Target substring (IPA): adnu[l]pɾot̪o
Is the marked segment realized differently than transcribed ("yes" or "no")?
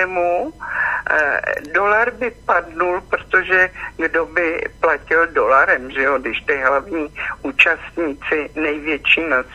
no